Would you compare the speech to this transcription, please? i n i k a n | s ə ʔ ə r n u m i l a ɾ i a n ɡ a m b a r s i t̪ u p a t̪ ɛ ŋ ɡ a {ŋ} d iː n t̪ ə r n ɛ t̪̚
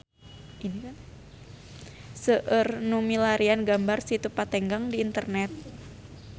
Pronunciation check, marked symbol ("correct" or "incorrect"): correct